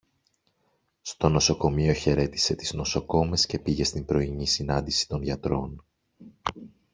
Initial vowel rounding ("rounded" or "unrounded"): rounded